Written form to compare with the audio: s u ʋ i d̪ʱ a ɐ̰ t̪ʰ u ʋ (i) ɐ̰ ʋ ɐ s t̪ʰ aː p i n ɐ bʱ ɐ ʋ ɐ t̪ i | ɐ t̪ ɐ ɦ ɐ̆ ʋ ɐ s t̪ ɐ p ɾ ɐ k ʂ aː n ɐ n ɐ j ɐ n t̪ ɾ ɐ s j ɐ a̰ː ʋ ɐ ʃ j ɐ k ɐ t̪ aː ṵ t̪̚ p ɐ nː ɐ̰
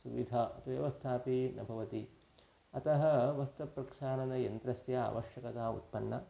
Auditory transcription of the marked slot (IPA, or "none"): j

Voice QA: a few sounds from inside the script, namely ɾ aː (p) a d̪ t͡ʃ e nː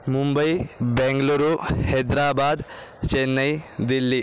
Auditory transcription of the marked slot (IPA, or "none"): b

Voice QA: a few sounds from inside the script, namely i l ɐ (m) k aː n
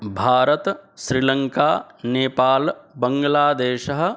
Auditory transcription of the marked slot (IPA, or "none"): ŋ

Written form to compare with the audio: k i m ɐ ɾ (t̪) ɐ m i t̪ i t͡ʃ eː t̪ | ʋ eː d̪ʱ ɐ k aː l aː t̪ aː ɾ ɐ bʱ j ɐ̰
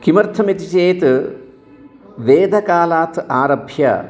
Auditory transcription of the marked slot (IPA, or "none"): t̪ʰ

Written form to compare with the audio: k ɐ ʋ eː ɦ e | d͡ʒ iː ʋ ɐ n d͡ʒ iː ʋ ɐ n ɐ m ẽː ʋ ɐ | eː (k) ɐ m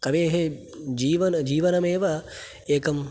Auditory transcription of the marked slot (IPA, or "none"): k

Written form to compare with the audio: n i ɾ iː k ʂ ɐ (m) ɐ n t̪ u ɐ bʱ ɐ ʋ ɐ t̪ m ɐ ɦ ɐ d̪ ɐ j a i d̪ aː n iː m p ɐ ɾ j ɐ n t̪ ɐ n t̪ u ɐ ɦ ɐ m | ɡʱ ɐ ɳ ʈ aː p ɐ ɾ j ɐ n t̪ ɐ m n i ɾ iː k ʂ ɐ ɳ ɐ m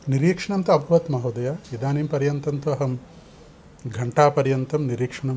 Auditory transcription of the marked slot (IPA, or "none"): ɳ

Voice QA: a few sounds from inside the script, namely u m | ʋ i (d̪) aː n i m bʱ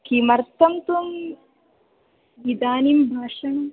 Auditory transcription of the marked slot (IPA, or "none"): d̪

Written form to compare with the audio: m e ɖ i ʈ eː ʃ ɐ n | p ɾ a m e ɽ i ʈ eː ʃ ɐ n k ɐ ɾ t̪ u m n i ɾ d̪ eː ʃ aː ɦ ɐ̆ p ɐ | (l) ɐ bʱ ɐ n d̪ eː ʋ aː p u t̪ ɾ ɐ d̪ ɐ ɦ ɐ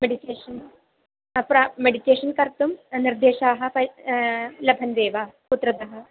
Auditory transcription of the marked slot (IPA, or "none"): l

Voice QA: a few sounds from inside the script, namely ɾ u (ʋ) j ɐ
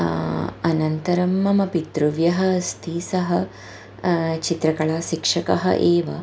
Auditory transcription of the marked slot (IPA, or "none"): ʋ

